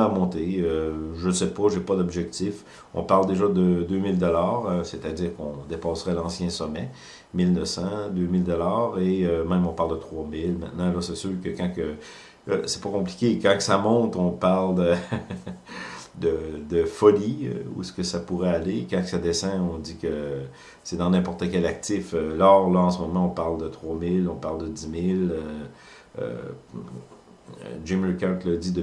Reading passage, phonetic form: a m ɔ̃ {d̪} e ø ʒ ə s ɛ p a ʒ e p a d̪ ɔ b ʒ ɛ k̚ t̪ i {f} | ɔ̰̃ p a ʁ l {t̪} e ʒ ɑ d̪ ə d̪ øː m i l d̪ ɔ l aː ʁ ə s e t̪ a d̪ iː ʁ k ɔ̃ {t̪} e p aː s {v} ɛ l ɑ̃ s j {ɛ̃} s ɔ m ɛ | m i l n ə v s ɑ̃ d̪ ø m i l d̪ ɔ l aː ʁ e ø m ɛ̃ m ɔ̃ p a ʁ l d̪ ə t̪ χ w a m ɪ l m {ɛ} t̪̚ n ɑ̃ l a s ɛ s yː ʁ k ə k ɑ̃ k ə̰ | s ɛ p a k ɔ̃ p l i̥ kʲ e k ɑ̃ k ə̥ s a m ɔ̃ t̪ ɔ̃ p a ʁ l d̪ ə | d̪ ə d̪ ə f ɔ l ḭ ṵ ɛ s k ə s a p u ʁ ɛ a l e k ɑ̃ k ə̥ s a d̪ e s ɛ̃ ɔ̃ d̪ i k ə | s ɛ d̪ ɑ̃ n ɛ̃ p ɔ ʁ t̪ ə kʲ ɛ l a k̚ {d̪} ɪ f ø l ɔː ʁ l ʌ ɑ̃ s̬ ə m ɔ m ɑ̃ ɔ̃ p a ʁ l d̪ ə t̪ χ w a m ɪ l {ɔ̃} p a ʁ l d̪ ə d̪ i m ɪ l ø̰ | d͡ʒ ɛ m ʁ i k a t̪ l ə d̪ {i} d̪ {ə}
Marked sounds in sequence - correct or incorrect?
incorrect: t̪, correct, incorrect: d̪, incorrect: d̪, incorrect: ʁ, correct, incorrect: ɛ̃, incorrect: t̪, correct, correct, correct

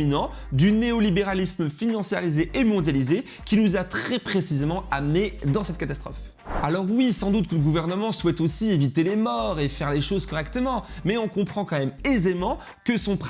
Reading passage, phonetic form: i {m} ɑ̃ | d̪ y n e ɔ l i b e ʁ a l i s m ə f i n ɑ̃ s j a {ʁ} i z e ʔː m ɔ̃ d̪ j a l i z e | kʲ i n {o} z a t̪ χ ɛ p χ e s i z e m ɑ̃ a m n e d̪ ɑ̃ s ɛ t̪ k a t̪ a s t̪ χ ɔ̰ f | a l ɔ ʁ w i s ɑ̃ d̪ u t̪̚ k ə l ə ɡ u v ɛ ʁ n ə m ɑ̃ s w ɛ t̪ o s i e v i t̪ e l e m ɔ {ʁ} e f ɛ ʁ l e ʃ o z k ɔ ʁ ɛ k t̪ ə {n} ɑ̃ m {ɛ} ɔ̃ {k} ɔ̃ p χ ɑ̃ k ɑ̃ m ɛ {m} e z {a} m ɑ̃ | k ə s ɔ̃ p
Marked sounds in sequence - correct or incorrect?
incorrect: n, correct, incorrect: u, correct, incorrect: m, correct, correct, correct, incorrect: e

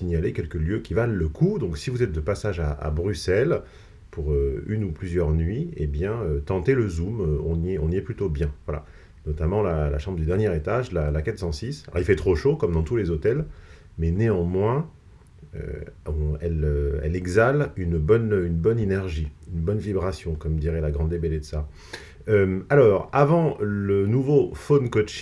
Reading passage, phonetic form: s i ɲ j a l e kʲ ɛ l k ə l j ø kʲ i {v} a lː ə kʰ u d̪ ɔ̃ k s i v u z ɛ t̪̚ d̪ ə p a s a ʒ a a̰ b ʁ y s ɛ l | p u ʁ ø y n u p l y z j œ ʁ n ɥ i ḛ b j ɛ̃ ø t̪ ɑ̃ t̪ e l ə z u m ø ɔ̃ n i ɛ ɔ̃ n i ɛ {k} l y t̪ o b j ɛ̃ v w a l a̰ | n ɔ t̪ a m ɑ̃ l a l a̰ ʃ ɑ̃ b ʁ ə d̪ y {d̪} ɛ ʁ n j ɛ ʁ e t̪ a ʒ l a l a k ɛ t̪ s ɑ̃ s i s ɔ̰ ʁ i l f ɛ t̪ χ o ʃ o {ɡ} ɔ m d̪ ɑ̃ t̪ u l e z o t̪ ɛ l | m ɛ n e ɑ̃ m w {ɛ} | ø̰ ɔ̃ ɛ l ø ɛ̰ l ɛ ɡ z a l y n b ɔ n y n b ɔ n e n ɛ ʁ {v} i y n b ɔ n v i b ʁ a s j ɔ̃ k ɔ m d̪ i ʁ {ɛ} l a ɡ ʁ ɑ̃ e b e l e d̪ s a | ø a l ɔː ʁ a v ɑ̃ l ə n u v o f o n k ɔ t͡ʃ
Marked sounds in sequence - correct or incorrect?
correct, incorrect: p, correct, incorrect: k, incorrect: ɛ̃, incorrect: ʒ, correct

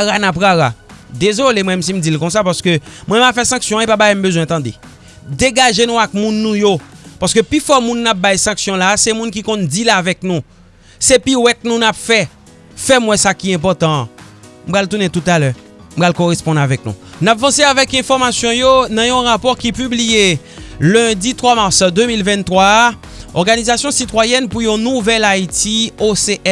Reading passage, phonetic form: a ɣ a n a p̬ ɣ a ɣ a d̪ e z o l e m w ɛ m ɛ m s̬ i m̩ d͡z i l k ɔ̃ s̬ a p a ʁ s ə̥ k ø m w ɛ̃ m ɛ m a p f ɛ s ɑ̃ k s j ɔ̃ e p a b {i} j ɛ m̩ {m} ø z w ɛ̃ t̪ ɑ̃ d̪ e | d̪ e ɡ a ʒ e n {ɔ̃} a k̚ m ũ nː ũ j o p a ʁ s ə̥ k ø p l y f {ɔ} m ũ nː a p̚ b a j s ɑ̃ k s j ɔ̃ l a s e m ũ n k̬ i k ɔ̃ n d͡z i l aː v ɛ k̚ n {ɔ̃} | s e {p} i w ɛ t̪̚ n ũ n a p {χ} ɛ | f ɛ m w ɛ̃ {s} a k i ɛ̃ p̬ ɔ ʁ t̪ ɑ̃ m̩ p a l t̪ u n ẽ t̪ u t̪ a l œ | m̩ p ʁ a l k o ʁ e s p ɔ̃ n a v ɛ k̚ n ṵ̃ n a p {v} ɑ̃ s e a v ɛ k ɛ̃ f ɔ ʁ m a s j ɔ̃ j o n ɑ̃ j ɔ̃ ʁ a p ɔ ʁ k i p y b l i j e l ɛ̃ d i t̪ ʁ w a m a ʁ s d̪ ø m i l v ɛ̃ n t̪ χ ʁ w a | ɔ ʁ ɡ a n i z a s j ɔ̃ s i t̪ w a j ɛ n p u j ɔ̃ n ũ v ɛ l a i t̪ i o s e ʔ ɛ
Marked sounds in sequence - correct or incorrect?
incorrect: a, incorrect: b, incorrect: ũ, correct, incorrect: ũ, correct, incorrect: f, correct, correct

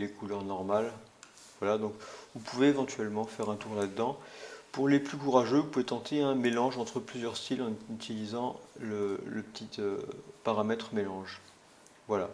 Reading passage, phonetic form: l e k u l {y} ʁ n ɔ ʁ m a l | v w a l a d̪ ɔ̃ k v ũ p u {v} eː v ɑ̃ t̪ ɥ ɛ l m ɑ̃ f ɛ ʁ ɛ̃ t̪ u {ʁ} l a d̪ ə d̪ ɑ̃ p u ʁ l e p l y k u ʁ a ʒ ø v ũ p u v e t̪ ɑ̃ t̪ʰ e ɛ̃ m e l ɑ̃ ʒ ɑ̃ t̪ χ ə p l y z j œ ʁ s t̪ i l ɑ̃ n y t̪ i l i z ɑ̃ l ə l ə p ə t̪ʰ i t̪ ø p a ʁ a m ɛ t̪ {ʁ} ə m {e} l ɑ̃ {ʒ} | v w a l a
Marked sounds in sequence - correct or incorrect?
incorrect: œ, correct, correct, incorrect: χ, correct, correct

